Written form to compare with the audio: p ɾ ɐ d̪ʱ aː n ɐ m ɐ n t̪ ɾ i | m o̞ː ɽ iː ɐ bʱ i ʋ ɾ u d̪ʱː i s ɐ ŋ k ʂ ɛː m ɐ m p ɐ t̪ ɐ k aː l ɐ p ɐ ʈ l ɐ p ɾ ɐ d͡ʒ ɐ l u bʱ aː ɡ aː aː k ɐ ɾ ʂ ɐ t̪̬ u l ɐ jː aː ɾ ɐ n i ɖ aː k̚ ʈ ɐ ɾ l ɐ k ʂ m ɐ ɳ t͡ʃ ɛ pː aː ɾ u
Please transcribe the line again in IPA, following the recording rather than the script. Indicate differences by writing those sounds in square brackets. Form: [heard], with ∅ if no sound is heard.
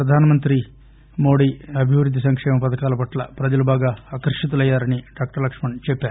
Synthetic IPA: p ɾ ɐ d̪ʱ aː n ɐ m ɐ n t̪ ɾ i | m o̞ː ɽ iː ɐ bʱ i ʋ ɾ u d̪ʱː i s ɐ ŋ k ʂ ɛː m ɐ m p ɐ t̪ ɐ k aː l ɐ p ɐ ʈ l ɐ p ɾ ɐ d͡ʒ ɐ l u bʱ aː ɡ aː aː k ɐ ɾ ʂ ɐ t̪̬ u l ɐ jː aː ɾ ɐ n i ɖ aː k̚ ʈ ɐ ɾ l ɐ k ʂ m ɐ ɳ t͡ʃ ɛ pː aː ɾ u